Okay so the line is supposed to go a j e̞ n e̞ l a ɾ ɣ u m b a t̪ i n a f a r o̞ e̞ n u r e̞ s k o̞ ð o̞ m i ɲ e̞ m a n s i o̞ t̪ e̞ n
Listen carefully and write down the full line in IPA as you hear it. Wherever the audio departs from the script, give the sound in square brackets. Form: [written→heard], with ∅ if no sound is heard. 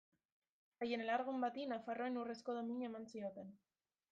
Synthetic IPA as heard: a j e̞ n e̞ l a ɾ ɣ u m b a t̪ i n a f a r o̞ e̞ n u r e̞ s k o̞ ð o̞ m i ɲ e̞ m a n s i o̞ t̪ e̞ n